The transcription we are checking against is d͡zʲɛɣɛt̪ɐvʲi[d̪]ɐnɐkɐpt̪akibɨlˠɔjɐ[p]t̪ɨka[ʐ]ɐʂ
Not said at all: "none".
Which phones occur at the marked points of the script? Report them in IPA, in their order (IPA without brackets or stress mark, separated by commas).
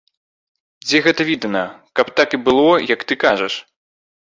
d̪, k, ʐ